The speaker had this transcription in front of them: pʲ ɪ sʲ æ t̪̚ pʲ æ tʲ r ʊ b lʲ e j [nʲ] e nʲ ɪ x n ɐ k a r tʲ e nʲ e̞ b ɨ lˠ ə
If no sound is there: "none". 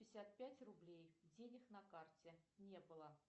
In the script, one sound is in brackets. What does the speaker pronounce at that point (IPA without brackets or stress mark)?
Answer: dʲ